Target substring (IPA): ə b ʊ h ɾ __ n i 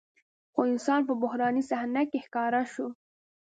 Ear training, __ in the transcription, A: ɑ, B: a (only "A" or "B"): A